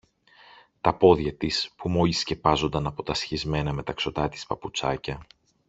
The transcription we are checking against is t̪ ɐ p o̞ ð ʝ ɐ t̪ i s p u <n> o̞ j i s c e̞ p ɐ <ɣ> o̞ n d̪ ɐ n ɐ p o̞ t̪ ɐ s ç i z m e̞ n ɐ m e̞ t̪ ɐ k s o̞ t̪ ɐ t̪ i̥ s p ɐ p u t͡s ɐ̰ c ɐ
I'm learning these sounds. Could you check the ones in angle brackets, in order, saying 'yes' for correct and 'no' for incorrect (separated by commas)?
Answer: no, no